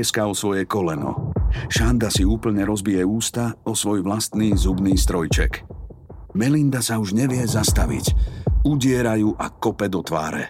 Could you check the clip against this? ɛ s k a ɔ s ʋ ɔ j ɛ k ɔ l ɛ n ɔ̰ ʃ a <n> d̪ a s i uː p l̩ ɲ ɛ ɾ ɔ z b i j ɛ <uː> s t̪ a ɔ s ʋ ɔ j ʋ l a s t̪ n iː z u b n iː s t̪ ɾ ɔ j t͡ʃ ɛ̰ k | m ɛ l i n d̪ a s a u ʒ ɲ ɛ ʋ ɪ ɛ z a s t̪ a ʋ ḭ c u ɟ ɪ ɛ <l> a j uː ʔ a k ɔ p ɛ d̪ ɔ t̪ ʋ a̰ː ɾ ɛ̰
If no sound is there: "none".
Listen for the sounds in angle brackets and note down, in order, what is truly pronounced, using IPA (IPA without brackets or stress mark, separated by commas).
n, uː, ɾ